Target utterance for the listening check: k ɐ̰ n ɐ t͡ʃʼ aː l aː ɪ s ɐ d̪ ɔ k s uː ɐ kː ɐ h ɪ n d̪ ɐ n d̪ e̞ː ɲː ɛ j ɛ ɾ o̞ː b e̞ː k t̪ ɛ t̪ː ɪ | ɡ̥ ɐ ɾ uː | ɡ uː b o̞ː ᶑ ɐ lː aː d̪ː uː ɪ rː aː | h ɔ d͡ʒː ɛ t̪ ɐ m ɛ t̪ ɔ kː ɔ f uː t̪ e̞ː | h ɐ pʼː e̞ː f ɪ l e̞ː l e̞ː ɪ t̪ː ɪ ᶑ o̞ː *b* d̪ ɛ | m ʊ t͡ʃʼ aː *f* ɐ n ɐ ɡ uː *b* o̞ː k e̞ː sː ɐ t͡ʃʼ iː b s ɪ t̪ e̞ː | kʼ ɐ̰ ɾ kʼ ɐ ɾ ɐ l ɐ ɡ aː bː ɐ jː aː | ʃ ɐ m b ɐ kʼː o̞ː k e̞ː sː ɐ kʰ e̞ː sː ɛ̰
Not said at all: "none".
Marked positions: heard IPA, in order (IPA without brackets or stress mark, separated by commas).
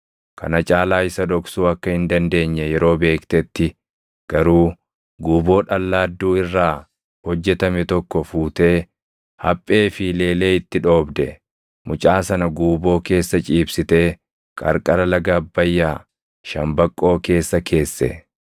b, s, b